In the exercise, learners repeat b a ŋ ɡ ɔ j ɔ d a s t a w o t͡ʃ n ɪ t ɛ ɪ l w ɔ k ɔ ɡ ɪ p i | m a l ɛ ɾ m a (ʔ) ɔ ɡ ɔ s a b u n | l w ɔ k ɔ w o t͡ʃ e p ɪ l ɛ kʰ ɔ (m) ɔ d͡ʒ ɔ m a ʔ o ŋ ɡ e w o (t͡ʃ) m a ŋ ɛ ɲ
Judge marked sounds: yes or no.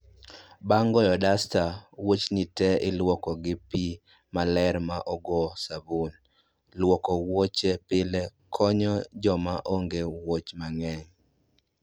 yes, no, yes

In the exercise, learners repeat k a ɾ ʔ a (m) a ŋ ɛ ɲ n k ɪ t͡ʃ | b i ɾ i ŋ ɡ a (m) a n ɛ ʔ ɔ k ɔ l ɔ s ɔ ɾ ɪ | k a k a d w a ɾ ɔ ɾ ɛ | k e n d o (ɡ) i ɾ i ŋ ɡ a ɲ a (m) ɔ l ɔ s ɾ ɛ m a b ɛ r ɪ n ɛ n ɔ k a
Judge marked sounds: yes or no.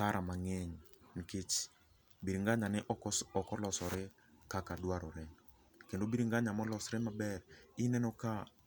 yes, no, no, yes

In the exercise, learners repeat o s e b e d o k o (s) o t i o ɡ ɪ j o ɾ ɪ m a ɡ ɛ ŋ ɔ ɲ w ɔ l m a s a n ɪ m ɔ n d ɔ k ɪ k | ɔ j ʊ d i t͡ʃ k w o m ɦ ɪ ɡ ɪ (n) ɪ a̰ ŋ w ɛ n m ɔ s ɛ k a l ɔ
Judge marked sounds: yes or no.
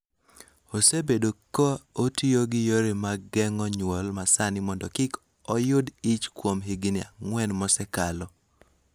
no, yes

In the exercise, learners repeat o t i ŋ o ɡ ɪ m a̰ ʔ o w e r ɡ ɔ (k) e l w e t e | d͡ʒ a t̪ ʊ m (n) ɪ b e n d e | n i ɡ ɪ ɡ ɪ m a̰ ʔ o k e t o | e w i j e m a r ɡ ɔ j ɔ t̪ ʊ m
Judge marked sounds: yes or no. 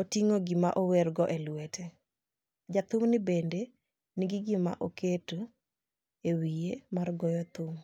no, yes

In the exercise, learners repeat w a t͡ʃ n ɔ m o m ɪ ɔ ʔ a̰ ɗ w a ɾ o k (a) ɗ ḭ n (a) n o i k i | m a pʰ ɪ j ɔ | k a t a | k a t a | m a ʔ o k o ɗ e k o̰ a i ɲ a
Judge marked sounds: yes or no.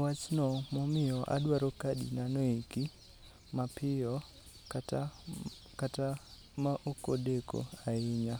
yes, yes

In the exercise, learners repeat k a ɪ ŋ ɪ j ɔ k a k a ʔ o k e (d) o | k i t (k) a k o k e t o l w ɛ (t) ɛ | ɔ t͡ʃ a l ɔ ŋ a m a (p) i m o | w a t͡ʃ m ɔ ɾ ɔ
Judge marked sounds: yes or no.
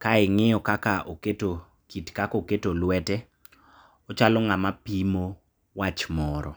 no, yes, yes, yes

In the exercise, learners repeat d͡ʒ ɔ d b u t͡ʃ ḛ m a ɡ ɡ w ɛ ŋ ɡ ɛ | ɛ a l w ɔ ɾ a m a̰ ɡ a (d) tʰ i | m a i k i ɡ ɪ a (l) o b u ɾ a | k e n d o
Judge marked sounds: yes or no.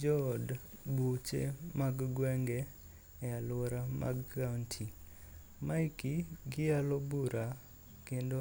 no, yes

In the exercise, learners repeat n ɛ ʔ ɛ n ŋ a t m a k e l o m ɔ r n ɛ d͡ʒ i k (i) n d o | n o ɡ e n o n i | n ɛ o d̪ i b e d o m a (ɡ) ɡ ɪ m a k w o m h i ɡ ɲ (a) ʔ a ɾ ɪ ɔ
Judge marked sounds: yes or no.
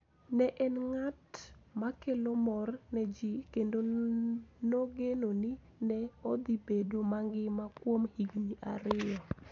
no, no, no

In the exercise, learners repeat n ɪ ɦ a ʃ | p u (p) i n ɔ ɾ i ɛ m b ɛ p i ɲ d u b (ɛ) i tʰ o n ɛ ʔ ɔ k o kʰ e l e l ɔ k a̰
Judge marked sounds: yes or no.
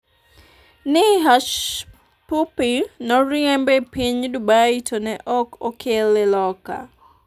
yes, no

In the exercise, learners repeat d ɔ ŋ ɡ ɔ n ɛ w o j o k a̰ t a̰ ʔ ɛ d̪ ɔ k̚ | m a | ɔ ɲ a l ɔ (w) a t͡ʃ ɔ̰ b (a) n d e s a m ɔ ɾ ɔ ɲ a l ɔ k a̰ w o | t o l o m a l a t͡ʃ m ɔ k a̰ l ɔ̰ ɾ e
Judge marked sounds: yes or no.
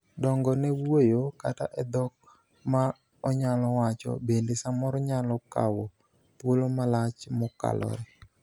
yes, no

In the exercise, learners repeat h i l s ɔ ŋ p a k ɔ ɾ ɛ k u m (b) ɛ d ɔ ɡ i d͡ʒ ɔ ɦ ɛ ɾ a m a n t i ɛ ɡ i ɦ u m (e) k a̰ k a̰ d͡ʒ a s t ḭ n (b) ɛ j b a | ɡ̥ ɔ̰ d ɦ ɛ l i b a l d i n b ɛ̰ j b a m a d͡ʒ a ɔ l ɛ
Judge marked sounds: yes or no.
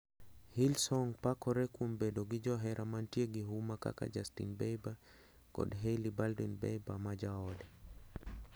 yes, no, yes

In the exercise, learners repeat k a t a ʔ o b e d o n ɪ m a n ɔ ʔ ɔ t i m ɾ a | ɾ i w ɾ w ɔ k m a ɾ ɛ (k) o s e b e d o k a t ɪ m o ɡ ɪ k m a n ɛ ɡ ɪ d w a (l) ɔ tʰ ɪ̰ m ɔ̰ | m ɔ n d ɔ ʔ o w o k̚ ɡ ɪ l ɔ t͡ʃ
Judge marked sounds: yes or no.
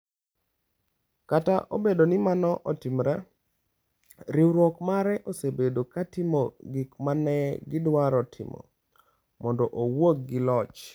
no, no

